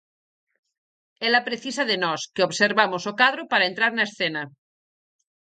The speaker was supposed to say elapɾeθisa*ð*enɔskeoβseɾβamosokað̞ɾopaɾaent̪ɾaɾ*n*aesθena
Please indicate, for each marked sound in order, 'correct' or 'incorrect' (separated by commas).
correct, correct